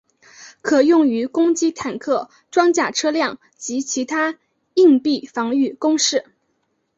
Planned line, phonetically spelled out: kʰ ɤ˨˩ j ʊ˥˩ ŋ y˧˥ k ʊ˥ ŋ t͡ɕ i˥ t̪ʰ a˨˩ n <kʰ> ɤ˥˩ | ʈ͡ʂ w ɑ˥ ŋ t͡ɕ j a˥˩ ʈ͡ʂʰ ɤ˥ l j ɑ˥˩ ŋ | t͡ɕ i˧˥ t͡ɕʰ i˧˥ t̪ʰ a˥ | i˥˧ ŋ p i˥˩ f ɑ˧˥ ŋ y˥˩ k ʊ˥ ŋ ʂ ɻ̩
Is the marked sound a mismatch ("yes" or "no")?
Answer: no